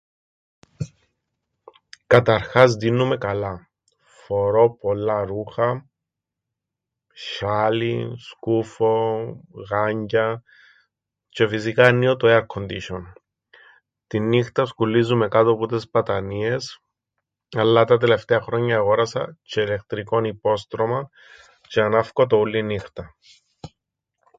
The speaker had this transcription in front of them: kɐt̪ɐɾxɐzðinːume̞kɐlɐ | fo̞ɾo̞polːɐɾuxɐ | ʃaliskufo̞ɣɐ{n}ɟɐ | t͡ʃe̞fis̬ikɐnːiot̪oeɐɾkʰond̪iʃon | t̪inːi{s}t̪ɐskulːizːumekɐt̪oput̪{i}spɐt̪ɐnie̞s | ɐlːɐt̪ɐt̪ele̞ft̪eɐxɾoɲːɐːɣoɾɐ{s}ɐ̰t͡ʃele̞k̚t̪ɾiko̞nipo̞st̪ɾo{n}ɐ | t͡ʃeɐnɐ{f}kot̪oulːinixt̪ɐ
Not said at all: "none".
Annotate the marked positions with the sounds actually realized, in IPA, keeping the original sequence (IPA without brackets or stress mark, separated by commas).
ɲ, x, e, s, m, f